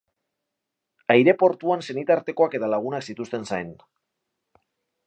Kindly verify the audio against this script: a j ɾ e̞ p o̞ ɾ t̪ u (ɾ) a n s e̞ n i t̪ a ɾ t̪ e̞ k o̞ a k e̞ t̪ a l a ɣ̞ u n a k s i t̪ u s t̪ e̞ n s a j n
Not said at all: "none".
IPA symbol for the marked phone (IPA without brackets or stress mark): none